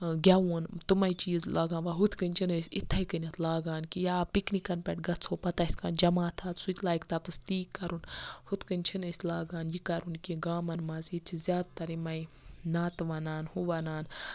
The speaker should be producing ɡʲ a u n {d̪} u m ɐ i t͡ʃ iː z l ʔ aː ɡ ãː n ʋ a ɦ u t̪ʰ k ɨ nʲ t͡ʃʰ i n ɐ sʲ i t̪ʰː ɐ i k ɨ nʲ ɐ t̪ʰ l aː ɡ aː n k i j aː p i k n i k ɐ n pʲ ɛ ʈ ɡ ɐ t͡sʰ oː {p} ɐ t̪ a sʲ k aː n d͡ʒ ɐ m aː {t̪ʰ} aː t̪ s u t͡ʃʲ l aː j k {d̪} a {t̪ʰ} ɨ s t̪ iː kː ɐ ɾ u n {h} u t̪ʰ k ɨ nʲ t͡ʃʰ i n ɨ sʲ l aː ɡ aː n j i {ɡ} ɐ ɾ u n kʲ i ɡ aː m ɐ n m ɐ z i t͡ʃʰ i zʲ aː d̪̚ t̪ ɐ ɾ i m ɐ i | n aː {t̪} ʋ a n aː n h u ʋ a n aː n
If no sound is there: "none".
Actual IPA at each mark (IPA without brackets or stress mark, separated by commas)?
t̪, p, t̪ʰ, t̪, t̪, h, k, t̪